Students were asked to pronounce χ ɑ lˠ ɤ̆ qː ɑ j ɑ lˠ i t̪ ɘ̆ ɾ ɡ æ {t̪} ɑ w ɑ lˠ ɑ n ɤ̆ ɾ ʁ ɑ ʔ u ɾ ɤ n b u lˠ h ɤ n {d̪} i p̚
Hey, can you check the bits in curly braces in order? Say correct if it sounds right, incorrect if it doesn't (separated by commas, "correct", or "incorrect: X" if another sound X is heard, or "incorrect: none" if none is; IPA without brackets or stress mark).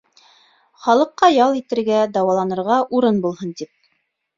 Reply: incorrect: d̪, incorrect: t̪